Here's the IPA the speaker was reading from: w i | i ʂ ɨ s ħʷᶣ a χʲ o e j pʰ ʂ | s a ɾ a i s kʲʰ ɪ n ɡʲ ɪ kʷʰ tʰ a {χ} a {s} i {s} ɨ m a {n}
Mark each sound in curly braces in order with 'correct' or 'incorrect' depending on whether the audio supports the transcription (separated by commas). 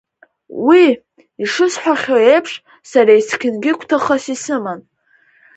correct, correct, correct, correct